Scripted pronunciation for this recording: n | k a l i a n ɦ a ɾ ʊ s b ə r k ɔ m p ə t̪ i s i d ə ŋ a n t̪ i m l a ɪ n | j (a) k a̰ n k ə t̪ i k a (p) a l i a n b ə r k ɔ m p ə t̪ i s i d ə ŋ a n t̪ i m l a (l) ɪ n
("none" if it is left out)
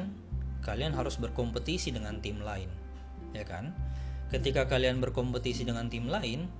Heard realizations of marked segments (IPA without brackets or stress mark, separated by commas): a, k, none